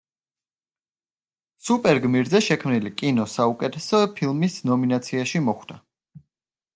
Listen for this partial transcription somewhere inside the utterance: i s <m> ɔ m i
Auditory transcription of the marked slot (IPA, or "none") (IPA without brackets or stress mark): n